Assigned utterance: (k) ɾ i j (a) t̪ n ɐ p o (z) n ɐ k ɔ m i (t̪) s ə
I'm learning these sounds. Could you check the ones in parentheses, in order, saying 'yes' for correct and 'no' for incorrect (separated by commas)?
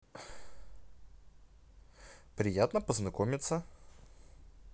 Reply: no, yes, yes, yes